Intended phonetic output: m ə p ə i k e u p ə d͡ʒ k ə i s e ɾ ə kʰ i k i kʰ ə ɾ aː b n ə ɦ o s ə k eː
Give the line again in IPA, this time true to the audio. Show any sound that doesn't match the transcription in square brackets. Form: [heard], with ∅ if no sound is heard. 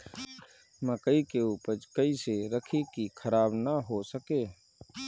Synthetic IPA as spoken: m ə [k] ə i k e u p ə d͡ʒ k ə i s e ɾ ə kʰ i k i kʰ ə ɾ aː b n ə ɦ o s ə k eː